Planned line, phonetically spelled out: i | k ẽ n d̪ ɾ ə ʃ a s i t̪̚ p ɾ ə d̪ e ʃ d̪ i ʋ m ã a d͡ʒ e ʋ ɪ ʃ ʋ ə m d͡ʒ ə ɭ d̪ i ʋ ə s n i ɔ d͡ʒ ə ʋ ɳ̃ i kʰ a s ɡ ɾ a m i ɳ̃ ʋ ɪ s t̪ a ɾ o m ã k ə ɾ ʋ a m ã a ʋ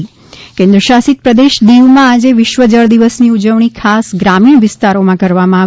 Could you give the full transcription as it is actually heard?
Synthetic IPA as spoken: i | k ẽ n d̪ ɾ ə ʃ a s i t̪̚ p ɾ ə d̪ e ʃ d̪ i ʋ m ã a d͡ʒ e ʋ ɪ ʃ ʋ ə d͡ʒ ə ɭ d̪ i ʋ ə s n i u d͡ʒ ə ʋ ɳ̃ i kʰ a s ɡ ɾ a m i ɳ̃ ʋ ɪ s t̪ a ɾ o m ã k ə ɾ ʋ a m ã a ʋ